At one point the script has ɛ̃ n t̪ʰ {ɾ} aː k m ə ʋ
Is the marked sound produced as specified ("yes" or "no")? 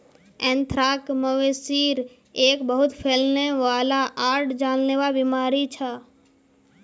yes